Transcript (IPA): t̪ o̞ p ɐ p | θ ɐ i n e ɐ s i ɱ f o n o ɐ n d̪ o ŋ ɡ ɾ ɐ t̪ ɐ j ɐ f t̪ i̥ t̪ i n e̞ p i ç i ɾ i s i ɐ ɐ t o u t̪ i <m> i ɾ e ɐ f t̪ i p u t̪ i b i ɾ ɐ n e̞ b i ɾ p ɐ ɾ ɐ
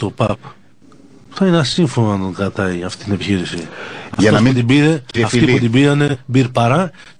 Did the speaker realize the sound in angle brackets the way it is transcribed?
no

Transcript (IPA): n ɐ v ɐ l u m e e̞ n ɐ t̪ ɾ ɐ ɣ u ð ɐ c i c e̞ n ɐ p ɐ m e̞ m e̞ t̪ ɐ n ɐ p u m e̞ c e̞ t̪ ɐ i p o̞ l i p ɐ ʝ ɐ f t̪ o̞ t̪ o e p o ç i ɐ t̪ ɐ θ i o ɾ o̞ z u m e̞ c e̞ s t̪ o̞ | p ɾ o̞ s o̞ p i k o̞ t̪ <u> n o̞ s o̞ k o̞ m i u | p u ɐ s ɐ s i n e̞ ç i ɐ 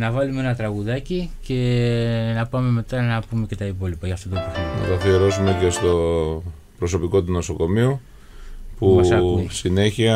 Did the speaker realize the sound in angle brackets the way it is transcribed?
yes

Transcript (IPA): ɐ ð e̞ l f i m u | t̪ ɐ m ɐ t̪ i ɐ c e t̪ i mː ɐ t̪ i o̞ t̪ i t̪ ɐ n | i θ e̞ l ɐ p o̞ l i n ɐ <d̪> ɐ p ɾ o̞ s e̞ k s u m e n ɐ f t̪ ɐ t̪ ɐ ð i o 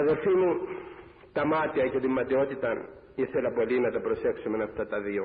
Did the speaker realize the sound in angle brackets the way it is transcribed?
no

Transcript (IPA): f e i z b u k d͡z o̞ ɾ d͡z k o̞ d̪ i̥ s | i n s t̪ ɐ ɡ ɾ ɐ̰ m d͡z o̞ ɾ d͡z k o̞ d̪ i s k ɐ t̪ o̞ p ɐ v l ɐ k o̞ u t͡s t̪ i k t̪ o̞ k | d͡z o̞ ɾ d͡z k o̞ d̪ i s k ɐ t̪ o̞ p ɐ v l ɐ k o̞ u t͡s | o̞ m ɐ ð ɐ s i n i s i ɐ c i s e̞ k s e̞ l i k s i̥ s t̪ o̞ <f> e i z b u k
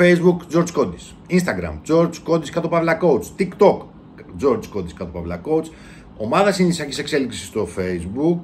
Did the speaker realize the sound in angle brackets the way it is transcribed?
yes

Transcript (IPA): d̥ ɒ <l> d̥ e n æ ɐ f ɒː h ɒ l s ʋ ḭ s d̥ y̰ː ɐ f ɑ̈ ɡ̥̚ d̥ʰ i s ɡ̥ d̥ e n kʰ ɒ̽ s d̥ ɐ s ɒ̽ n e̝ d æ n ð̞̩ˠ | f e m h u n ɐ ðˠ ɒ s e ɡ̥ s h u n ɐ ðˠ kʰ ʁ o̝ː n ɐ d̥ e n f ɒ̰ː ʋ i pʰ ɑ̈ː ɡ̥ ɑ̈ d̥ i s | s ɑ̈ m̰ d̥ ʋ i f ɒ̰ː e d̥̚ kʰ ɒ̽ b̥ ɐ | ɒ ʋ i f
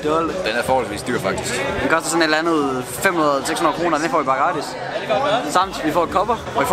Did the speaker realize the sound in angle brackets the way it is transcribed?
yes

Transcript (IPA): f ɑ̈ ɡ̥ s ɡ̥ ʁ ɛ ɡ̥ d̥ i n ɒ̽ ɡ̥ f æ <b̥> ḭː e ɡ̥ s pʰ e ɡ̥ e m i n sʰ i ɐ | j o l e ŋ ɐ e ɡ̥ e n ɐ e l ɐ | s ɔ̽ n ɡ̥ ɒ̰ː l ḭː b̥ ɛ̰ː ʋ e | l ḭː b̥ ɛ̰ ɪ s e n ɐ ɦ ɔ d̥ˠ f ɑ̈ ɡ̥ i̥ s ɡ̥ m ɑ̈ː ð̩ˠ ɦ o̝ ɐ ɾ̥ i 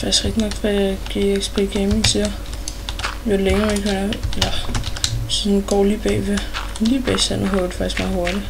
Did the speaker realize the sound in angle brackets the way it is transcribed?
no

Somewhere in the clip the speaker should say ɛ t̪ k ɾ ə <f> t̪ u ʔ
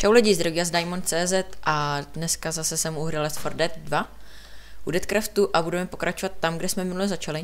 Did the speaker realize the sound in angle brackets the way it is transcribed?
yes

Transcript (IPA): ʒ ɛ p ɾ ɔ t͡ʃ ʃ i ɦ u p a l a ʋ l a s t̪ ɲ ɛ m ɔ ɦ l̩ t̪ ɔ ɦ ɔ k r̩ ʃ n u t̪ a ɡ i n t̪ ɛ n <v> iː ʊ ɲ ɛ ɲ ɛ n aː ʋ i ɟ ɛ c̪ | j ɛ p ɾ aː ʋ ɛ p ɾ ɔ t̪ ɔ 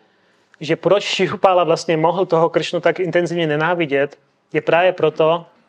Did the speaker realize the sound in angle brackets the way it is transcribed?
no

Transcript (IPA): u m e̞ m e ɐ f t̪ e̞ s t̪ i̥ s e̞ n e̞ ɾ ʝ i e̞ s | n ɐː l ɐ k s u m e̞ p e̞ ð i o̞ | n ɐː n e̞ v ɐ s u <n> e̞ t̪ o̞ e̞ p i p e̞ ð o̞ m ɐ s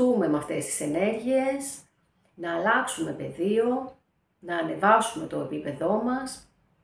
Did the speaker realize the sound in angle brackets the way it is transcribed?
no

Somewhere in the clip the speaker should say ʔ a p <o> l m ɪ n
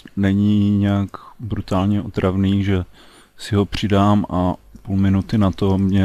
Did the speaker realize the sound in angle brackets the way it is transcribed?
no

